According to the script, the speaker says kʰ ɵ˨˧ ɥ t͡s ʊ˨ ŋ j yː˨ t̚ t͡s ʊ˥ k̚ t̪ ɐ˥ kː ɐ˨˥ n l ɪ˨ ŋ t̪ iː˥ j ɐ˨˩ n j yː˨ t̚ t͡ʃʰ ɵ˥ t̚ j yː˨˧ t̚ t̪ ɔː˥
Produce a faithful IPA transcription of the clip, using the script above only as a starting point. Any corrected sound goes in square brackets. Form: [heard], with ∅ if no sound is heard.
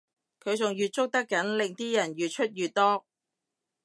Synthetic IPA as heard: kʰ ɵ˨˧ ɥ t͡s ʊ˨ ŋ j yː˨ t̚ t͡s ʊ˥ k̚ t̪ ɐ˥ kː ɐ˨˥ n l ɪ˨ ŋ t̪ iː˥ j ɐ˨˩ n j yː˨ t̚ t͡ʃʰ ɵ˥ t̚ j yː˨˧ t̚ t̪ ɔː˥